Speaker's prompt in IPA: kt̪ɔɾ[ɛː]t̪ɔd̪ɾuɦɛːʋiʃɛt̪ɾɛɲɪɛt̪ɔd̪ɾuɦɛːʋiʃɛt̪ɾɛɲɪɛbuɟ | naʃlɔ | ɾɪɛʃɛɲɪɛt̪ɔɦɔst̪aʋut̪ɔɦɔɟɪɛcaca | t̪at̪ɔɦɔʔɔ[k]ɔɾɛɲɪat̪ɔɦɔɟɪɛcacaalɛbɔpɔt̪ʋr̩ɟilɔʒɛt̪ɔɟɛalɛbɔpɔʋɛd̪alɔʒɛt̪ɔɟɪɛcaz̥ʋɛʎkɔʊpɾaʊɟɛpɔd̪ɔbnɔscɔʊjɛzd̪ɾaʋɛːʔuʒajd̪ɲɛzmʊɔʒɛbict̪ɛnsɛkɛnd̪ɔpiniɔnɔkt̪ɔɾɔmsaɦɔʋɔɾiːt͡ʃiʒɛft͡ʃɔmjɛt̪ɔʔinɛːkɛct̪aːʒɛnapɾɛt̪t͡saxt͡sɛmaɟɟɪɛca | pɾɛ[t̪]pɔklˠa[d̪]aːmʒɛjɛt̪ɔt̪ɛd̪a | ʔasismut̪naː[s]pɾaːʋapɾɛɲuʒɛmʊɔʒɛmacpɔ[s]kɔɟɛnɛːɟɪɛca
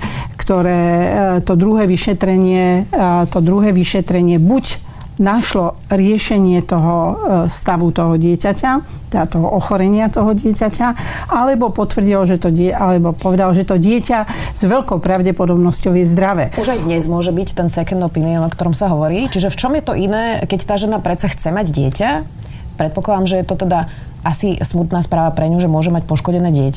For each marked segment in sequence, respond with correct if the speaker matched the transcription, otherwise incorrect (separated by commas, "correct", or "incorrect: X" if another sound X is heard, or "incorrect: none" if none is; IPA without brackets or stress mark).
correct, incorrect: x, correct, correct, correct, incorrect: ʃ